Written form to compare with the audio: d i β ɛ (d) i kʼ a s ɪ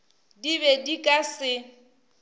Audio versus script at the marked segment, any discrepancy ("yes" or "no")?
no